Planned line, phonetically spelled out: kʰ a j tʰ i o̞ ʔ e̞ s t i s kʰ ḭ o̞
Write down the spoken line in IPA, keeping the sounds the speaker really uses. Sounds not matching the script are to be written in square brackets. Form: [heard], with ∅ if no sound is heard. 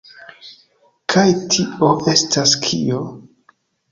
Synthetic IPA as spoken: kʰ a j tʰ i o̞ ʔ e̞ s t [a] s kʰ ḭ o̞